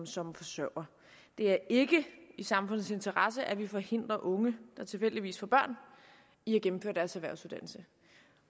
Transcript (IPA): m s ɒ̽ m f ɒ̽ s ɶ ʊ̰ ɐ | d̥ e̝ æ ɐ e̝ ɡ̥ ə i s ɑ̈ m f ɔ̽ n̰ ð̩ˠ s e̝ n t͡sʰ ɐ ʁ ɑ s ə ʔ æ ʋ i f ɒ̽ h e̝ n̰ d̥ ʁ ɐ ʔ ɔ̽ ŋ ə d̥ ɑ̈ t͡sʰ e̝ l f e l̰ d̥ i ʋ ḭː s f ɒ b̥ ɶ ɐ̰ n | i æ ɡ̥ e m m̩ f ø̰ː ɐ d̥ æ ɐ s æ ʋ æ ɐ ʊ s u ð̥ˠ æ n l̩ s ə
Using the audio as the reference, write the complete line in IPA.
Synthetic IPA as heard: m s ɒ̽ m f ɒ̽ s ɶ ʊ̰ ɐ | d̥ e̝ æ ɐ e̝ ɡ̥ ə i s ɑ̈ m f ɔ̽ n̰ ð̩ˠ s e̝ n t͡sʰ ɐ ʁ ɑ s ə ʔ æ ʋ i f ɒ̽ h e̝ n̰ d̥ ʁ ɐ ʔ ɔ̽ ŋ ə d̥ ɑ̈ t͡sʰ e̝ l f e l̰ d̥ i ʋ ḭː s f ɒ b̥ ɶ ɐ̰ n | i æ ɡ̥ e m m̩ f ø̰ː ɐ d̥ æ ɐ s æ ʋ æ ɐ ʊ s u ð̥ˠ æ n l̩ s ə